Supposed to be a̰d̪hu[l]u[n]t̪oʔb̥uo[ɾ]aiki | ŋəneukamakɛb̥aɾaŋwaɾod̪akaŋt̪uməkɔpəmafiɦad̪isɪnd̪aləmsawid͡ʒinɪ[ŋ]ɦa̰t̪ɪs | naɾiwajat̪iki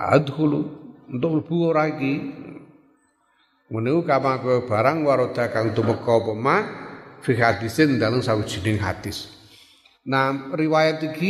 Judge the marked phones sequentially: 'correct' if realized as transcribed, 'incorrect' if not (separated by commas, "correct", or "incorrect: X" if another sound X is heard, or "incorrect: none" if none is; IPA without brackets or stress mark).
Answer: correct, correct, correct, correct